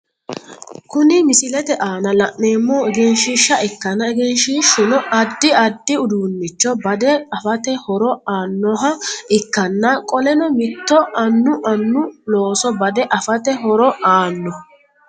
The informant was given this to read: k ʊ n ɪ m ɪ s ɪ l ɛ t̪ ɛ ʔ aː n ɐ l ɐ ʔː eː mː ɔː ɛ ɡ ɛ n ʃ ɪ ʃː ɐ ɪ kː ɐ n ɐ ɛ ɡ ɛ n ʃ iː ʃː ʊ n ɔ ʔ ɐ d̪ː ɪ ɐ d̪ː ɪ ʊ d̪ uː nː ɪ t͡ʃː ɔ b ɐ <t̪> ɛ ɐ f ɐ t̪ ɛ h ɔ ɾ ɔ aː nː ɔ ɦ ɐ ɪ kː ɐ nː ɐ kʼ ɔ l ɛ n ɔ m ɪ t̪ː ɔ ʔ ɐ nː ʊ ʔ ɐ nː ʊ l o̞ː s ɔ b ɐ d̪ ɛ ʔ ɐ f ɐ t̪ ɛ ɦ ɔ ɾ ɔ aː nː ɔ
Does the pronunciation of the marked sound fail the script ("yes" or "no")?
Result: yes